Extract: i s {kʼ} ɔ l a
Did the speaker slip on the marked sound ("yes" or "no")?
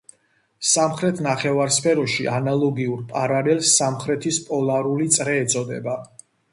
yes